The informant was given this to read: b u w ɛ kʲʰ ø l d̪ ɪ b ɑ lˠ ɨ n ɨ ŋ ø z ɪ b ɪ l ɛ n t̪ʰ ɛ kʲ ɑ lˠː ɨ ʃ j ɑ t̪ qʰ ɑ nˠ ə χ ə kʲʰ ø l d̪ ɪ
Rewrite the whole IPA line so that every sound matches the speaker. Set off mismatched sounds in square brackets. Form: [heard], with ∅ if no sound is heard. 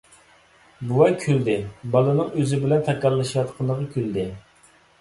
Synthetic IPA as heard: b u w ɛ kʲʰ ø l d̪ ɪ b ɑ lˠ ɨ n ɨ ŋ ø z ɪ b ɪ l ɛ n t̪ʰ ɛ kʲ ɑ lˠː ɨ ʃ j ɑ t̪ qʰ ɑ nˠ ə [ʁ] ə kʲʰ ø l d̪ ɪ